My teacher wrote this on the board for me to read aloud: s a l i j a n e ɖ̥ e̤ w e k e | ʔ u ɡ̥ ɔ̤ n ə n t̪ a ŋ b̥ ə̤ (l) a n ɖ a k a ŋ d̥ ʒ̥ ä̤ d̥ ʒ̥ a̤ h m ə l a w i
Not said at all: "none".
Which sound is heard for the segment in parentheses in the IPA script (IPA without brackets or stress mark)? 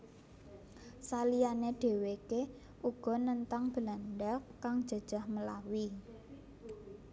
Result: l